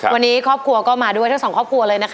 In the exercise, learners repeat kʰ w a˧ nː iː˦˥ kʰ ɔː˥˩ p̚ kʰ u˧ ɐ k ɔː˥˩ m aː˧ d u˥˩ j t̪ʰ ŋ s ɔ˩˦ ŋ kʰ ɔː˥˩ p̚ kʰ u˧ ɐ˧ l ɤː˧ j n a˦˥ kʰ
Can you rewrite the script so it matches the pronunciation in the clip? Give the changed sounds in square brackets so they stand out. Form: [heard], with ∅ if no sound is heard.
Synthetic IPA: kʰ w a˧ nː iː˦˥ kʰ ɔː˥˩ p̚ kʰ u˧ ɐ k ɔː˥˩ m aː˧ d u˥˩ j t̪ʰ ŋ s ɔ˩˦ ŋ kʰ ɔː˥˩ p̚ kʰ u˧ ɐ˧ l ɤː˧ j n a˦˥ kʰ